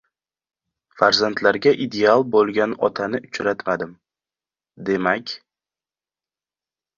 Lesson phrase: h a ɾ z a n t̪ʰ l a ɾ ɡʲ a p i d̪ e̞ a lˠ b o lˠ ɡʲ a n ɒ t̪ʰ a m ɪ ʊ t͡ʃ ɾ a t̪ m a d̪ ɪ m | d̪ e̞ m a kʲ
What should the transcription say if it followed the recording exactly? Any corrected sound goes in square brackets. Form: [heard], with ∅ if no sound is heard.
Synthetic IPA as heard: [f] a ɾ z a n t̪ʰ l a ɾ ɡʲ a [ʔ] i d̪ e̞ a lˠ b o lˠ ɡʲ a n ɒ t̪ʰ a [n] ɪ ʊ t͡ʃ ɾ a t̪ m a d̪ ɪ m | d̪ e̞ m a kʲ